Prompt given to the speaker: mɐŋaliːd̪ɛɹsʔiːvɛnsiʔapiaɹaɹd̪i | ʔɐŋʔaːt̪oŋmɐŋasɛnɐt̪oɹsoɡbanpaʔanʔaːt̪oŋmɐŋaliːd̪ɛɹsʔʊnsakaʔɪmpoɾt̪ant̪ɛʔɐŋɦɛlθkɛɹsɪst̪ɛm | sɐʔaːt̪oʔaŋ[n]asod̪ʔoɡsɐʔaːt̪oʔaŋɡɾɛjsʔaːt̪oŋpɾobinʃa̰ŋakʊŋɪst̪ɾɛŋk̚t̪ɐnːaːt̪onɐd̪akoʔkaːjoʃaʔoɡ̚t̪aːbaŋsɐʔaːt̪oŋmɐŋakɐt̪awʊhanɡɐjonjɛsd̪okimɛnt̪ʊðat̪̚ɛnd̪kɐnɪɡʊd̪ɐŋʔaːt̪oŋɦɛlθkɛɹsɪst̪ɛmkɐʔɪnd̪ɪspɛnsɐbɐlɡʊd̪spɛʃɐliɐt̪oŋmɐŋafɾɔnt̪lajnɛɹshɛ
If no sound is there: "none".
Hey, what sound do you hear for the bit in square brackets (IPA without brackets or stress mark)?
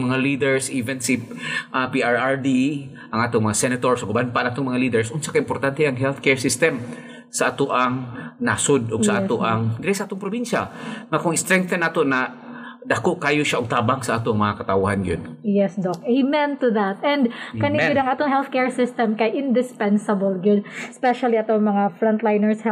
n